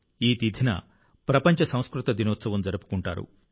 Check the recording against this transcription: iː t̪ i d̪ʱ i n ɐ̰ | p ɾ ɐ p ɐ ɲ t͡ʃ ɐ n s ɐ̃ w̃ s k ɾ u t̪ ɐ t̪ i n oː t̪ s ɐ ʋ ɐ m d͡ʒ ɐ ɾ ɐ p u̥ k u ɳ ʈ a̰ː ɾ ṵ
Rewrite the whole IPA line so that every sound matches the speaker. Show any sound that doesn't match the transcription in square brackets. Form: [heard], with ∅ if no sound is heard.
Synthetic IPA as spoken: iː t̪ i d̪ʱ i n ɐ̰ | p ɾ ɐ p ɐ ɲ t͡ʃ ɐ [∅] s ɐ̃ w̃ s k ɾ u t̪ ɐ [d̪] i n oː t̪ s ɐ ʋ ɐ m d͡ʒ ɐ ɾ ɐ p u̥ k u ɳ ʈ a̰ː ɾ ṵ